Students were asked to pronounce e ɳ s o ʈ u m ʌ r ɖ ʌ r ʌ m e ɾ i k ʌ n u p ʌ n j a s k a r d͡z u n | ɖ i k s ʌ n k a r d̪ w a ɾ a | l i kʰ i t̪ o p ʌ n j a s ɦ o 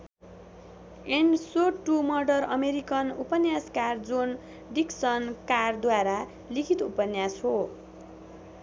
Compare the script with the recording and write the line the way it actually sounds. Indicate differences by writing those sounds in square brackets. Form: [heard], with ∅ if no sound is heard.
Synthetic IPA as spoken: e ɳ s o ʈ u m ʌ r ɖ ʌ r ʌ m e ɾ i k ʌ n u p ʌ n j a s k a r d͡z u n | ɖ i k s ʌ n k a r d̪ w a ɾ a | l i kʰ i t̪ [u] p ʌ n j a s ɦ o